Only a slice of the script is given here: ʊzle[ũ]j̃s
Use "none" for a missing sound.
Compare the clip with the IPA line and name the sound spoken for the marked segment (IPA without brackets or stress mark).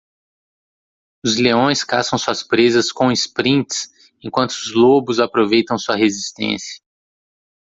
õ